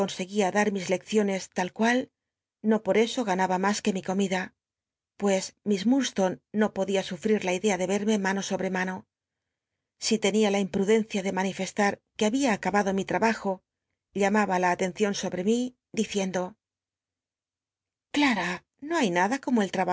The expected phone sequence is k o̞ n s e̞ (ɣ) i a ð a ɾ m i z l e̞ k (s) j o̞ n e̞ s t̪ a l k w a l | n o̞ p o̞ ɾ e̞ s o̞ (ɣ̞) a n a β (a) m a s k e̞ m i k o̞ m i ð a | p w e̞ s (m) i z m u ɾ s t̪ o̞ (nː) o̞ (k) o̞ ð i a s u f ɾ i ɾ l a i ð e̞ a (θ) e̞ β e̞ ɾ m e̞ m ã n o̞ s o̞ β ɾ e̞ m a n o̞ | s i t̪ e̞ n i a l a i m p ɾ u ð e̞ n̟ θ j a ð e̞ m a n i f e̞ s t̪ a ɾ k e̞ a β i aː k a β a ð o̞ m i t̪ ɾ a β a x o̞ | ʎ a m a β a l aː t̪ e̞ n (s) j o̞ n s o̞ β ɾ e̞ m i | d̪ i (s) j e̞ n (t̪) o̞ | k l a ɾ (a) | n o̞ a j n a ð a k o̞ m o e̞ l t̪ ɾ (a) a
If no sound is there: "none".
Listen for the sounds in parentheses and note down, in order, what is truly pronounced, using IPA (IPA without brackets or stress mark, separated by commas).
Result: ɣ, θ, ɣ̞, a, m, nː, p, ð, θ, θ, d̪, a, a